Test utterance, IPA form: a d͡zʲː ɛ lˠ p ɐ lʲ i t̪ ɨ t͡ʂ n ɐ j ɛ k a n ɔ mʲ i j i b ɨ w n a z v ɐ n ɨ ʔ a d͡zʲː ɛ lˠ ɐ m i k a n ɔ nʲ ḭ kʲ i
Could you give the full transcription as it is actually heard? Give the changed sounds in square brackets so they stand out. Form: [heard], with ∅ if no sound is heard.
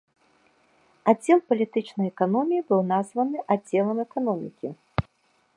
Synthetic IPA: a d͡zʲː ɛ lˠ p ɐ lʲ i t̪ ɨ t͡ʂ n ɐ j ɛ k a n ɔ mʲ i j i b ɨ w n a z v ɐ n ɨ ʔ a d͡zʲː ɛ lˠ ɐ m [ɛ] k a n ɔ [mʲ] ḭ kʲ i

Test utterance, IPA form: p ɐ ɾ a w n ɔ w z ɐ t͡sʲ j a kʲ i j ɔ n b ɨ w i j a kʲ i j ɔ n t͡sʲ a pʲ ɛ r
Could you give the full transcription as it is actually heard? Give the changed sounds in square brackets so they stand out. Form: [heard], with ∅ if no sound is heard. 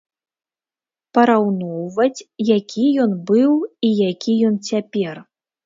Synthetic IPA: p ɐ ɾ a w n ɔ w [v] ɐ t͡sʲ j a kʲ i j ɔ n b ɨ w i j a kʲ i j ɔ n t͡sʲ a pʲ ɛ r

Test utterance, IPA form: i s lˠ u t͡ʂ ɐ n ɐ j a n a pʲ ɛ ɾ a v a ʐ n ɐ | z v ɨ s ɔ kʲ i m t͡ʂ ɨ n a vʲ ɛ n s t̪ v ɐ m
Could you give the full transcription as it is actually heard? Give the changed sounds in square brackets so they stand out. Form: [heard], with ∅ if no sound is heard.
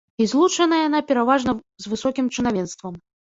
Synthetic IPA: i [z] lˠ u t͡ʂ ɐ n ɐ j a n a pʲ ɛ ɾ a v a ʐ n ɐ | z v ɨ s ɔ kʲ i m t͡ʂ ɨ n a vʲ ɛ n s t̪ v ɐ m

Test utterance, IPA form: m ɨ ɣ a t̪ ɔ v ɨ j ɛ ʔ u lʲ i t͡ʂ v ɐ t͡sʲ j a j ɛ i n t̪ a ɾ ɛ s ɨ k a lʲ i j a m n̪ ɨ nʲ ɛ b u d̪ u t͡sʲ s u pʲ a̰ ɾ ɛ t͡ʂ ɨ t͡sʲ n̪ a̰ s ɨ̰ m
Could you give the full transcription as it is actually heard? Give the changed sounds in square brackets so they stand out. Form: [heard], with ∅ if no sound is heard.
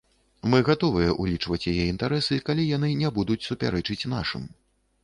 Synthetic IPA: m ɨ ɣ a t̪ ɔ v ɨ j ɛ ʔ u lʲ i t͡ʂ v ɐ t͡sʲ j a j ɛ i n t̪ a ɾ ɛ s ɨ k a lʲ i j a [∅] n̪ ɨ nʲ ɛ b u d̪ u t͡sʲ s u pʲ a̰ ɾ ɛ t͡ʂ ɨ t͡sʲ n̪ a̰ [ʂ] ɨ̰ m

